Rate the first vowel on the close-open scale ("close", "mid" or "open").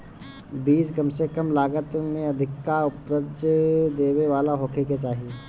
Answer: close